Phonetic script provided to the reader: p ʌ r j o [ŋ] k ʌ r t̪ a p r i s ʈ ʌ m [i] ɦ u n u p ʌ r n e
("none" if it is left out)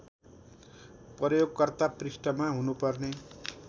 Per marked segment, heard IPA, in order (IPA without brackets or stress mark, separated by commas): ɡ, a